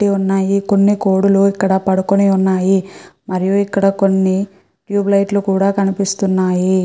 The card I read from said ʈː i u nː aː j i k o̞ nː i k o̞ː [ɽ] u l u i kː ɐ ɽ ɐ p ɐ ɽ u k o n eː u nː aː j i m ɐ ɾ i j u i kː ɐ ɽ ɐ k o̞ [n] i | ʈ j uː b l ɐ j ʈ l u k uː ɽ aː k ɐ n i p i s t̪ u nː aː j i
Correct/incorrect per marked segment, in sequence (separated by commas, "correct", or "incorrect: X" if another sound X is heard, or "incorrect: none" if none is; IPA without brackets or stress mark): correct, incorrect: nː